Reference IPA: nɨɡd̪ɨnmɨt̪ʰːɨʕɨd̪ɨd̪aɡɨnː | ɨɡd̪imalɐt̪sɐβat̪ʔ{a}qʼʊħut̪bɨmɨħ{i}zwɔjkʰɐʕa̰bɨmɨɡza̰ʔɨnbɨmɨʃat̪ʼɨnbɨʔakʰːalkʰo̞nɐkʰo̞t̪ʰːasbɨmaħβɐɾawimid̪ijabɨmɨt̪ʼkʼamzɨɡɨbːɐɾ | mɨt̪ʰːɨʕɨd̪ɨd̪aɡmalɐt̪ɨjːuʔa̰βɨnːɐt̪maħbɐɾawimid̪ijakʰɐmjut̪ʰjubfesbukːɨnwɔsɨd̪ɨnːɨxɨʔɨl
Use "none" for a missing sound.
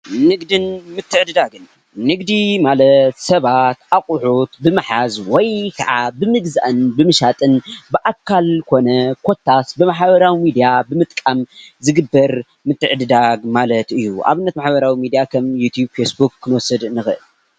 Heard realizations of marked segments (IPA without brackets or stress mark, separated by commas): a, a